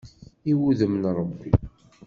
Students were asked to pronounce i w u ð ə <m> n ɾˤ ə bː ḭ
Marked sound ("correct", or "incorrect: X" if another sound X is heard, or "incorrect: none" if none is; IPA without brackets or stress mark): correct